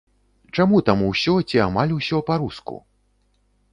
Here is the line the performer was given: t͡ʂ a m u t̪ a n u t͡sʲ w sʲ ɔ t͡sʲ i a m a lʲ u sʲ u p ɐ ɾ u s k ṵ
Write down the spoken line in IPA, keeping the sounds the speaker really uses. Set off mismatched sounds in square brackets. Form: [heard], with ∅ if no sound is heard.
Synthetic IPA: t͡ʂ a m u t̪ a [m] u [∅] w sʲ ɔ t͡sʲ i a m a lʲ u sʲ [ɔ] p [a] ɾ u s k ṵ